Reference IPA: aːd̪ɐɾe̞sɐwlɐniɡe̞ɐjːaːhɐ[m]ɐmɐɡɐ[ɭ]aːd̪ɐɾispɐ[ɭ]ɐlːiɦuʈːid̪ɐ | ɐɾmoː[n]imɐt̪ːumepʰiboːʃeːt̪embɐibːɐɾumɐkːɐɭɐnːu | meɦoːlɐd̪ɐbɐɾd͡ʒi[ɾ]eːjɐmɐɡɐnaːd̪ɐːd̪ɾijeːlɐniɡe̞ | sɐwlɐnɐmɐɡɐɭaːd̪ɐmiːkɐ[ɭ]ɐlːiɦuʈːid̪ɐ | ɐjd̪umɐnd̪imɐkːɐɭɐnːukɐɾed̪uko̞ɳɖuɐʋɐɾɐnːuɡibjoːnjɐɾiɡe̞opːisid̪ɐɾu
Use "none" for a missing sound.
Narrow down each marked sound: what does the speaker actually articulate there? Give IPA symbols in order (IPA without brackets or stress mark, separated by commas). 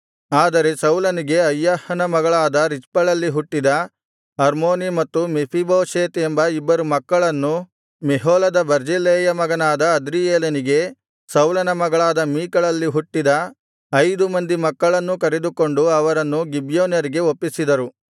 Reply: n, ɭ, ɭ, n, l, ɭ